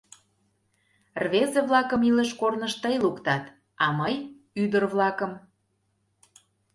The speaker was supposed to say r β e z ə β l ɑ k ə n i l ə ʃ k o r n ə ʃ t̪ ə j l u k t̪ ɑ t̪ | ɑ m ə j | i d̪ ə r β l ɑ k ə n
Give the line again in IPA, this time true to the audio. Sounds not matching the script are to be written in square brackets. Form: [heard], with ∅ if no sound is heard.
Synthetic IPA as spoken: r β e z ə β l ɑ k ə [m] i l ə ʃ k o r n ə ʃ t̪ ə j l u k t̪ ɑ t̪ | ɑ m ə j | [y] d̪ ə r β l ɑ k ə [m]